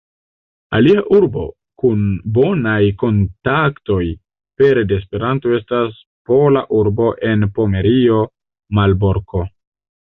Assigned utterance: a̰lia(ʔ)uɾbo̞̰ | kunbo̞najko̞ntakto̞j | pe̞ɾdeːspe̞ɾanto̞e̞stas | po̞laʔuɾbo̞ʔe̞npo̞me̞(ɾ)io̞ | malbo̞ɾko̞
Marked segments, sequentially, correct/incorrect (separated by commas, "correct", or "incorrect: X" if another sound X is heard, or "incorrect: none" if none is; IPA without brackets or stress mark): correct, correct